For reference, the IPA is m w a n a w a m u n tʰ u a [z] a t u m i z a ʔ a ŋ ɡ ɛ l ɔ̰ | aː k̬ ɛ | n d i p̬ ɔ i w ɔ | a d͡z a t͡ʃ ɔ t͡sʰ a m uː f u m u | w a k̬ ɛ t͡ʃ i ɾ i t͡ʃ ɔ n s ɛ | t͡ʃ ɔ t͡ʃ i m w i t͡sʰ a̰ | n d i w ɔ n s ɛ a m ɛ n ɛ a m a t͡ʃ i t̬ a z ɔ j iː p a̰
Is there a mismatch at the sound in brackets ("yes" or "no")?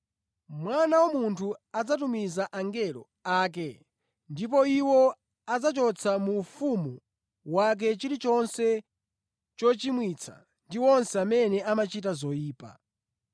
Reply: yes